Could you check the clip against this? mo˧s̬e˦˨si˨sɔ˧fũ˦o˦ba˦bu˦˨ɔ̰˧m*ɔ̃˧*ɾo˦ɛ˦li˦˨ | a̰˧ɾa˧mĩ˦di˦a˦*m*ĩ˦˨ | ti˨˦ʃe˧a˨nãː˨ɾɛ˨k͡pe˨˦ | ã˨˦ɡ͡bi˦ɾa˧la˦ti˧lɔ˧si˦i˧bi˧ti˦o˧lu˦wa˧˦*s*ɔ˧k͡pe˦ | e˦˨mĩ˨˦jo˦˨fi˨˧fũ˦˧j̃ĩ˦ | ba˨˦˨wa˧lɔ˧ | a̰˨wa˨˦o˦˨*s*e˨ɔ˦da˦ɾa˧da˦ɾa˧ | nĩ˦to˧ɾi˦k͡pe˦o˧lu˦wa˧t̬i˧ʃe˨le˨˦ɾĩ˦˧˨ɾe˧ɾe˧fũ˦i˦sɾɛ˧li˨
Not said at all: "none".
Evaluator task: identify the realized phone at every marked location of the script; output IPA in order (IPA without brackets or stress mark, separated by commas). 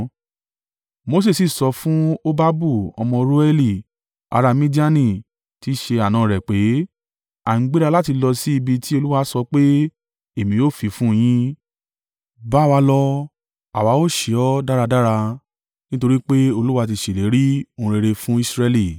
ɔ̃˧, n, s, ʃ